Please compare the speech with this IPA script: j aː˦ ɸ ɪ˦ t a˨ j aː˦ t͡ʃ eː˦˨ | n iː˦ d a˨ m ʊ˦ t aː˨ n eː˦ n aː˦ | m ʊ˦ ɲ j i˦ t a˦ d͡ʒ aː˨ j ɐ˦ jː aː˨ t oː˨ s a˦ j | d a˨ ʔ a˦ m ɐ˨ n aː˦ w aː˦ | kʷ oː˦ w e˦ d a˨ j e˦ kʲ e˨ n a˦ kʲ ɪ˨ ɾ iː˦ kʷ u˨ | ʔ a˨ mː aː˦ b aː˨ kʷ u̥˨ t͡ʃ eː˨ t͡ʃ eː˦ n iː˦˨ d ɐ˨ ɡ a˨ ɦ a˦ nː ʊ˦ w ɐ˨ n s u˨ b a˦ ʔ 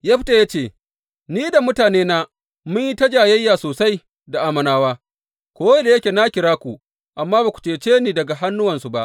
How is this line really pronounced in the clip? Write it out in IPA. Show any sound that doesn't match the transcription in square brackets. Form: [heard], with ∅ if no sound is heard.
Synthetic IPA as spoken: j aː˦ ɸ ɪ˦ t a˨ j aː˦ t͡ʃ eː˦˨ | n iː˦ d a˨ m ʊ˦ t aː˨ n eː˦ n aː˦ | m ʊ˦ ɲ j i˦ t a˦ d͡ʒ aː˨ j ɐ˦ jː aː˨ [s] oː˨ s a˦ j | d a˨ ʔ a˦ m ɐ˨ n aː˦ w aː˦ | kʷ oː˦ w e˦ d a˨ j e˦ kʲ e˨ n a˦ kʲ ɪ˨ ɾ [aː˦] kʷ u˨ | ʔ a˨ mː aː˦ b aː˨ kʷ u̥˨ t͡ʃ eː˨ t͡ʃ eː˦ n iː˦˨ d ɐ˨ ɡ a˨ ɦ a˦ nː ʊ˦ w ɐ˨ n s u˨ b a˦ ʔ